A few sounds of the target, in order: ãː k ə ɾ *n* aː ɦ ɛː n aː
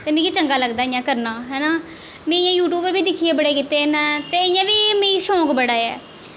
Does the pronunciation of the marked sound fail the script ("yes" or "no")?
no